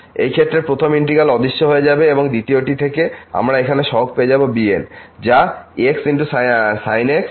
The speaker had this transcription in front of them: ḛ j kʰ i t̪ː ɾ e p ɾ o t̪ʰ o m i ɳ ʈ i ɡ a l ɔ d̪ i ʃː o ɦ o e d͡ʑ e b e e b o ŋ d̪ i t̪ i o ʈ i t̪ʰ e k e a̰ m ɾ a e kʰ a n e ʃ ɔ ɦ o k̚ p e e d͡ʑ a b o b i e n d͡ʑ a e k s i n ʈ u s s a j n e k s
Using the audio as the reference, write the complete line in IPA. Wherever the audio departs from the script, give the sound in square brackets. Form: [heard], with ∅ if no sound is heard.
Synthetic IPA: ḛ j kʰ [e] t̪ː ɾ e p ɾ o t̪ʰ o m i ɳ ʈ i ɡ a l ɔ d̪ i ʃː o ɦ o e d͡ʑ [a] b e e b o ŋ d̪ i t̪ i o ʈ i t̪ʰ e k e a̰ m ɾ a e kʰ a n e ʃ ɔ ɦ o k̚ p e e d͡ʑ a b o b i e n d͡ʑ a e k s i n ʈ u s s a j n e k s